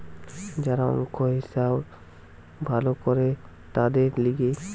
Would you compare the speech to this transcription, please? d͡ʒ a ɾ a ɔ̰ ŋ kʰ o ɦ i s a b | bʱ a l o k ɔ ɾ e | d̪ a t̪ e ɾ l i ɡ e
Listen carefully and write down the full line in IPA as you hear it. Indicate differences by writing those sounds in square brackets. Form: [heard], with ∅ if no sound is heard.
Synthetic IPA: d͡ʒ a ɾ a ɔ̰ ŋ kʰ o ɦ i s a b | bʱ a l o k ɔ ɾ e | [t̪] a [d̪] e ɾ l i ɡ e